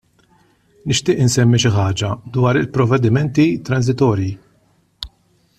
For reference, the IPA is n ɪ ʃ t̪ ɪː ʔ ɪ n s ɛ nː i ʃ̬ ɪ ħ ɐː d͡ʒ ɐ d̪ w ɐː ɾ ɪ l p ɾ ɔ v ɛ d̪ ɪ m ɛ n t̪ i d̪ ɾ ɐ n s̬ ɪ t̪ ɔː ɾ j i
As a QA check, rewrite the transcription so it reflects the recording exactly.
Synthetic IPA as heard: n ɪ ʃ t̪ ɪː ʔ ɪ n s ɛ mː i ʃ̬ ɪ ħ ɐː d͡ʒ ɐ d̪ w ɐː ɾ ɪ l p ɾ ɔ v ɛ d̪ ɪ m ɛ n t̪ i t̪ ɾ ɐ n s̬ ɪ t̪ ɔː ɾ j i